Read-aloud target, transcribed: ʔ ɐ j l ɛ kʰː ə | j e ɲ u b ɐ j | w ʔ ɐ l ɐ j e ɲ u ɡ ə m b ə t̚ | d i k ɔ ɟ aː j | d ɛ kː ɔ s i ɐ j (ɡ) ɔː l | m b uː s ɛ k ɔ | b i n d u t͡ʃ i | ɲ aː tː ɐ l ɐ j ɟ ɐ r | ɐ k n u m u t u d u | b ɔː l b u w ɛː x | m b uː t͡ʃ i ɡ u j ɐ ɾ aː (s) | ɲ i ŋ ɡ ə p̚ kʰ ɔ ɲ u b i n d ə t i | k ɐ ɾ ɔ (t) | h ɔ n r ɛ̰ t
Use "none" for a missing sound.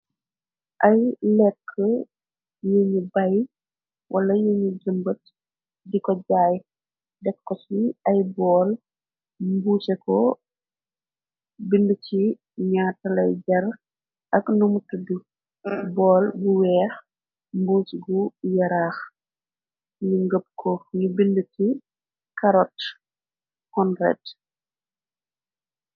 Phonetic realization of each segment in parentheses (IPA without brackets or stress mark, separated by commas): b, x, t